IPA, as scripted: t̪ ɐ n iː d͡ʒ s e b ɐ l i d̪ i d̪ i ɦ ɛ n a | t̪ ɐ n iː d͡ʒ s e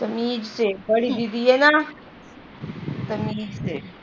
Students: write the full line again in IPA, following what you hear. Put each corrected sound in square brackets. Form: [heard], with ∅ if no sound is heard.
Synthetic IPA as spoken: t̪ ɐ [m] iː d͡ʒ s e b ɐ [ɽ] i d̪ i d̪ i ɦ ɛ n a | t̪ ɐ [m] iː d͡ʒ s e